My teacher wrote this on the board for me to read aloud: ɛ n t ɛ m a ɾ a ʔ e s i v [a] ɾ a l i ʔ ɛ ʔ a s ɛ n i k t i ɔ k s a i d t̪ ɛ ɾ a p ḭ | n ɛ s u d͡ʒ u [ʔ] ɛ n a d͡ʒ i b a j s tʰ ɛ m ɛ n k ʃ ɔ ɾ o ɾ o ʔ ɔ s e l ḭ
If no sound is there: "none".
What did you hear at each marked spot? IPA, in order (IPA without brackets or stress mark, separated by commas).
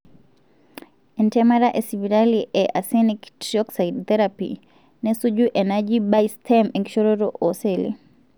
i, ʔ